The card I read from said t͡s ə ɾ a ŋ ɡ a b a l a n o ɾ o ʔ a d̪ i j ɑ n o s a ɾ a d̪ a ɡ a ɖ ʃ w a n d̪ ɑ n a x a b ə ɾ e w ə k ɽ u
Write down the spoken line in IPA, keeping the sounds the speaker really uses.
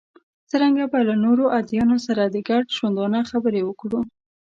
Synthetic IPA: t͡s ə ɾ a ŋ ɡ a b a l a n o ɾ o ʔ a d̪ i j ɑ n o s a ɾ a d̪ ə ɡ a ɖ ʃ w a n d̪ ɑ n a x a b ə ɾ e w ə k ɽ u

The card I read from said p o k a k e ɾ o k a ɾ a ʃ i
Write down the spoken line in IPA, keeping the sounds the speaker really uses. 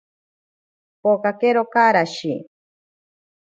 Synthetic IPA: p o k a k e ɾ o k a ɾ a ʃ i

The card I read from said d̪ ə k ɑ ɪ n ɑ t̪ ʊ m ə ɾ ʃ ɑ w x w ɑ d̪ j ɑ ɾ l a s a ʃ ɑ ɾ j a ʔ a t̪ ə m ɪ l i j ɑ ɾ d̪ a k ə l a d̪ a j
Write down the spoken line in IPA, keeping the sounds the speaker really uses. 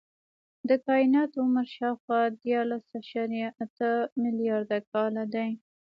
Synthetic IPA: d̪ ə k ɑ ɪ n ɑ t̪ ʊ m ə ɾ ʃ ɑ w x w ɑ d̪ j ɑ ɾ l a s a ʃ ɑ ɾ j a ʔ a t̪ ə m ɪ l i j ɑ ɾ d̪ a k ɑ l a d̪ a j

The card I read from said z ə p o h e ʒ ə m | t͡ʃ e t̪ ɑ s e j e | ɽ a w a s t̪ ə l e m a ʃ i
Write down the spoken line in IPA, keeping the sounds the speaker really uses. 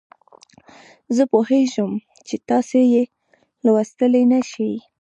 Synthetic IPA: z ə p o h e ʒ ə m | t͡ʃ e t̪ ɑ s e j e | l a w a s t̪ ə l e n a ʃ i

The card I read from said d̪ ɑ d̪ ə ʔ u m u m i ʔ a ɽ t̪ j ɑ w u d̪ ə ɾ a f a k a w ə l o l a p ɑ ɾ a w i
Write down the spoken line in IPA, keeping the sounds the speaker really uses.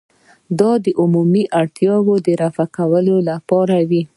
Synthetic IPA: d̪ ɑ d̪ ə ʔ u m u m i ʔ a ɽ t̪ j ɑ w o d̪ ə ɾ a f a k a w ə l o l a p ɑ ɾ a w i

